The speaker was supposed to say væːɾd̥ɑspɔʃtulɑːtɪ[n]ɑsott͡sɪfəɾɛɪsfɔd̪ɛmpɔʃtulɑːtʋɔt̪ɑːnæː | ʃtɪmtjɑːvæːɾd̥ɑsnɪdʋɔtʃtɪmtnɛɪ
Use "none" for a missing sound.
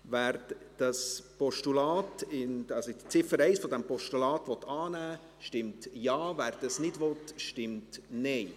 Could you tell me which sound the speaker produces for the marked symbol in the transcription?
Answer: n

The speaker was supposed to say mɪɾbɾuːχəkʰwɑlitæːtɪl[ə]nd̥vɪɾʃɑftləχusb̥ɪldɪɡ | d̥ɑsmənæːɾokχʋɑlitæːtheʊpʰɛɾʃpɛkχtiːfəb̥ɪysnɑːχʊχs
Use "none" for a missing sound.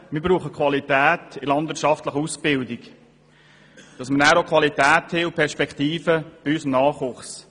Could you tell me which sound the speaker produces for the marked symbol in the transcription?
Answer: ɑ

